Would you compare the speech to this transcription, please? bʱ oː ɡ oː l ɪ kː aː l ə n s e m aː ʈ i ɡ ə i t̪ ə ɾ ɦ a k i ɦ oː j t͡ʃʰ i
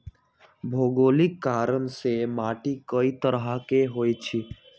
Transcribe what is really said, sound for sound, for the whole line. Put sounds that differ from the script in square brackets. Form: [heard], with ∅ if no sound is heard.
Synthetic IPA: bʱ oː ɡ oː l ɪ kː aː [ɾ] ə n s e m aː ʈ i [k] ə i t̪ ə ɾ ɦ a k [e] ɦ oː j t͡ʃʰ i

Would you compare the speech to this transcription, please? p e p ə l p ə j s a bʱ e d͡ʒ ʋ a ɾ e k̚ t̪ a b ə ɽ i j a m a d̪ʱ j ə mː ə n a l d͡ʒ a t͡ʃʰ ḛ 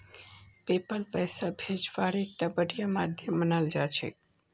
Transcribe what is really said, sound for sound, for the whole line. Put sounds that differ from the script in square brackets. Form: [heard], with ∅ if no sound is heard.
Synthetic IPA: p e p ə l p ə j s a bʱ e d͡ʒ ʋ a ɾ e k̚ t̪ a b ə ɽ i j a m a d̪ʱ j ə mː ə n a l d͡ʒ a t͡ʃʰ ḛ

